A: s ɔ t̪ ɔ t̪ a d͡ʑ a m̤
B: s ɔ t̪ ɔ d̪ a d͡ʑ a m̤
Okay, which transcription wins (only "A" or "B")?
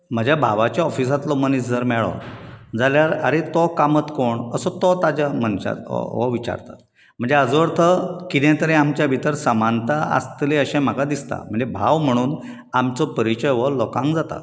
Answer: A